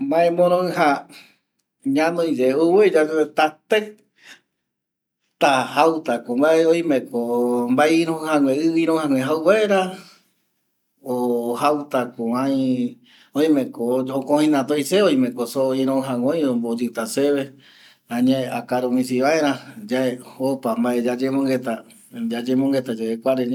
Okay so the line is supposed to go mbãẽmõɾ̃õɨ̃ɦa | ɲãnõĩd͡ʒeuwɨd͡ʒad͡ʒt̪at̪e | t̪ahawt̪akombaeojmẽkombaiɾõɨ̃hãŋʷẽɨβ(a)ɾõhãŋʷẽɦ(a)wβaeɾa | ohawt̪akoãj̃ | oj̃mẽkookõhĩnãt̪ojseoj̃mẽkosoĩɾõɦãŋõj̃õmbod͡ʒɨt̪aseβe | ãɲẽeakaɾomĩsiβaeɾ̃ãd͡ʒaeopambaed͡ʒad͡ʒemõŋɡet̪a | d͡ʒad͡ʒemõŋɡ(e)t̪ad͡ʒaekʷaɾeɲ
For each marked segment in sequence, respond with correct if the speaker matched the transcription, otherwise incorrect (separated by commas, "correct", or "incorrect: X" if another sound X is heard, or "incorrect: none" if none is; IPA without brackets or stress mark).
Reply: incorrect: i, correct, correct